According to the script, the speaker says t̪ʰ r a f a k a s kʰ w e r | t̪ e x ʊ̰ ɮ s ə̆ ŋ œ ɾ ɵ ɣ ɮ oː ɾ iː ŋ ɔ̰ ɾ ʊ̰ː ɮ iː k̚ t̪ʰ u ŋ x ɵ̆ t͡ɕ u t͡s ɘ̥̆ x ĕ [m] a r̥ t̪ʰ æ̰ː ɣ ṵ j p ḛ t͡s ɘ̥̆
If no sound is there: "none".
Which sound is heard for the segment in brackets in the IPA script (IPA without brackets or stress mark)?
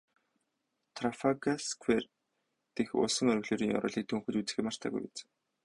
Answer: m